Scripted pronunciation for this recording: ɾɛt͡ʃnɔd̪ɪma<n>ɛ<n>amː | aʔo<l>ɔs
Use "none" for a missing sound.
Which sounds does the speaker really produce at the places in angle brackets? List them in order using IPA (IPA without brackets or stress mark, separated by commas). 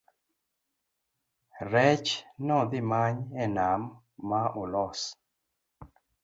ɲ, n, l